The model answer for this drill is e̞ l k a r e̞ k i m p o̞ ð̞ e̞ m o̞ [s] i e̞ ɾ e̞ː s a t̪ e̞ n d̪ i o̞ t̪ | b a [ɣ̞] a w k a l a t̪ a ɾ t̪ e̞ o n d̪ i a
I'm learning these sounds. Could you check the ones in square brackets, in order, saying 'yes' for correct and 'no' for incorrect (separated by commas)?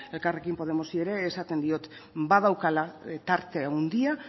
yes, no